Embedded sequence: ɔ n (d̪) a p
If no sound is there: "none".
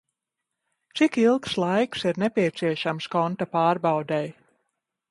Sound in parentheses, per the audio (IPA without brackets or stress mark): t̪